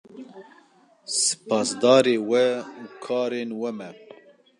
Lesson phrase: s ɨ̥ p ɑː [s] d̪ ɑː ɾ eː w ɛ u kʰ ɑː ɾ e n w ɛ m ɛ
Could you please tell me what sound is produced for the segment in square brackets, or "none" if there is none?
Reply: s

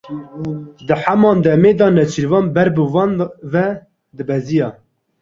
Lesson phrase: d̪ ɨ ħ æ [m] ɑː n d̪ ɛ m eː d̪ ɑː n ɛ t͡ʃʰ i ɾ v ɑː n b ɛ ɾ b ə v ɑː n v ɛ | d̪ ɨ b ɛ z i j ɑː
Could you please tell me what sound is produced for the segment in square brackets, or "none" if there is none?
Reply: m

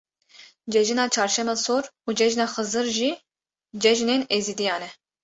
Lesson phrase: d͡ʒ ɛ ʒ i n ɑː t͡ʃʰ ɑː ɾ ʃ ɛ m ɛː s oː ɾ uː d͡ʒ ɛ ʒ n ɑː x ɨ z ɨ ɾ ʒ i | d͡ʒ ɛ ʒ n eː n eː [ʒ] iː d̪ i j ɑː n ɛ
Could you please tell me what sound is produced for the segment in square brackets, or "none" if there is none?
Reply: z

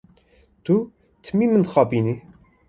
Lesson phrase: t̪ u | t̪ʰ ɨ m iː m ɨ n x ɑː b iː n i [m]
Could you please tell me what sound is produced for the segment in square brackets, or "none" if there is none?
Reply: none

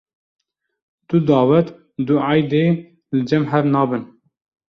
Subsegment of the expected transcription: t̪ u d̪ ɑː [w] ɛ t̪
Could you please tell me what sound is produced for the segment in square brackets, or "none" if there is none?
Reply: w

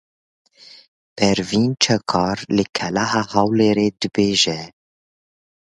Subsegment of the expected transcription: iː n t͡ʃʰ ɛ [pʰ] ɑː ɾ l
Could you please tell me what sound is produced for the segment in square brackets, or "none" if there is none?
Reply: kʰ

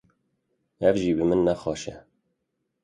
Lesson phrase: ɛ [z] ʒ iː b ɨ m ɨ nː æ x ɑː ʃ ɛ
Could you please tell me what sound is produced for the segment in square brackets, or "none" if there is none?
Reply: v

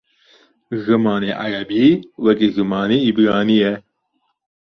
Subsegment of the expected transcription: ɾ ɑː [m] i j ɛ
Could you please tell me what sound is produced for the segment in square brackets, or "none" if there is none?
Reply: n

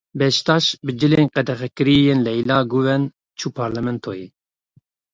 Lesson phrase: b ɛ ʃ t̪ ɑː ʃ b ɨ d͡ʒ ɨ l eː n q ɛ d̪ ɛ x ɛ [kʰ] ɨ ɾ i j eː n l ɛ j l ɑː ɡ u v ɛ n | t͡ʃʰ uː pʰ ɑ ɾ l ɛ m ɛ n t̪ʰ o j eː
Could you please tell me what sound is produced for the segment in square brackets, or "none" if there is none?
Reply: k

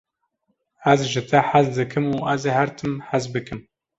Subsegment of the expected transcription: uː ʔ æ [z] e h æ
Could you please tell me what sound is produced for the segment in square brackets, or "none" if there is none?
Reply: z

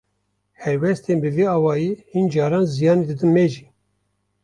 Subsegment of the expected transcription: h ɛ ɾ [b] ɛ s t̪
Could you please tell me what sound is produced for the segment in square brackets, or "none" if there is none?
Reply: w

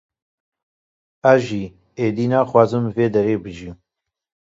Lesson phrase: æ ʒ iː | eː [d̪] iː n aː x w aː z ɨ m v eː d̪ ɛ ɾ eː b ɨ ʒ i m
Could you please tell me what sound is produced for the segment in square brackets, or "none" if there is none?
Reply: d̪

